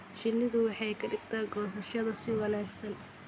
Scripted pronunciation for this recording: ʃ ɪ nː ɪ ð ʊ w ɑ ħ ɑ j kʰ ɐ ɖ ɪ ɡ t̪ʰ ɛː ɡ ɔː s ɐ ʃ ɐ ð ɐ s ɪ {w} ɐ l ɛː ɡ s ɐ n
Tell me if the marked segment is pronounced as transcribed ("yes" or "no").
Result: yes